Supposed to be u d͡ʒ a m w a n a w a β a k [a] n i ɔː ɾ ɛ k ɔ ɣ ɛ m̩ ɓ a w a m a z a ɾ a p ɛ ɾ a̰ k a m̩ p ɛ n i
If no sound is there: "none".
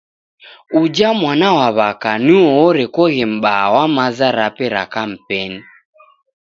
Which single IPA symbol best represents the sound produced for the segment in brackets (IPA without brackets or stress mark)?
a